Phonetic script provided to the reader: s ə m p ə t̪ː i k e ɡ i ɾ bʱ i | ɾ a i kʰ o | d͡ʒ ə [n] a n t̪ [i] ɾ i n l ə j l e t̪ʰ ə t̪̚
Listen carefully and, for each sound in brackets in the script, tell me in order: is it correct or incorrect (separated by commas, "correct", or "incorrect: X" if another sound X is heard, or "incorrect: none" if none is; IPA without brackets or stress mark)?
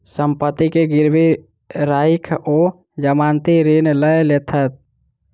incorrect: m, correct